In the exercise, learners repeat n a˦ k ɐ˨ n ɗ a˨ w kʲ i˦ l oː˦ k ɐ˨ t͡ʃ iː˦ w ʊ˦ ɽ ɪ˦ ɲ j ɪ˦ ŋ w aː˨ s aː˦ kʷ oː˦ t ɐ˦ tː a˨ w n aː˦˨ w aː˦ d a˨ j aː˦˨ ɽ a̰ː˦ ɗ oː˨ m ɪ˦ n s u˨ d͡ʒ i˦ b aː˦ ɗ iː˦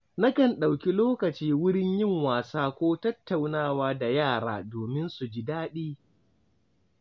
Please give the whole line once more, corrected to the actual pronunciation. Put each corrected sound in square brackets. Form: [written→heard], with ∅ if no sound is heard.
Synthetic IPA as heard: n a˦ k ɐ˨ n ɗ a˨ w kʲ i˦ l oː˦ k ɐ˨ t͡ʃ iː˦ w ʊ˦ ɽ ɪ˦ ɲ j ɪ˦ ŋ w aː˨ s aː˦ kʷ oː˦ t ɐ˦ tː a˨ w n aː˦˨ w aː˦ d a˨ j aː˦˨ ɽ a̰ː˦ [ɗ→d] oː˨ m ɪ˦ n s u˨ d͡ʒ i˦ [b→d] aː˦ ɗ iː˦